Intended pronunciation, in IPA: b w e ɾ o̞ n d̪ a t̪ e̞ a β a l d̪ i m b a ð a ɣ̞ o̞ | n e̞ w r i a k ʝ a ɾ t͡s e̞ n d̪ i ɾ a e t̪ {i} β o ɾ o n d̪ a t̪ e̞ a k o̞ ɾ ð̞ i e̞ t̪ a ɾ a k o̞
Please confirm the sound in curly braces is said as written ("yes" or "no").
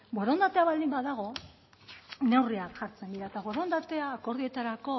no